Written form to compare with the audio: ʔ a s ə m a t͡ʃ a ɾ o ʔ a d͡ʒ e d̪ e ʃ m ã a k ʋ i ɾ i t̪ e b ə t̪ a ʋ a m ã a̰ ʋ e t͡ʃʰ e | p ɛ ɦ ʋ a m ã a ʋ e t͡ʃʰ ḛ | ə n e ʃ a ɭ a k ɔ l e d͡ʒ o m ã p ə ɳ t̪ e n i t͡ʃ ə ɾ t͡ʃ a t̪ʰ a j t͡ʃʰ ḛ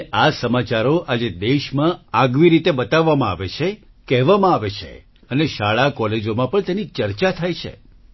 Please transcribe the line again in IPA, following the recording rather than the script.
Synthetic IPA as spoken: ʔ a s ə m a t͡ʃ a ɾ o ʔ a d͡ʒ e d̪ e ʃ m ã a ɡ ʋ i ɾ i t̪ e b ə t̪ a ʋː a m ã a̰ ʋ e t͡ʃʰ e | k ɛ ɦ ʋ a m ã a ʋ e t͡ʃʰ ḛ | ə n e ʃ a ɭ a k ɔ l e d͡ʒ o m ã p ə ɳ t̪ e n i t͡ʃ ə ɾ t͡ʃ a t̪ʰ a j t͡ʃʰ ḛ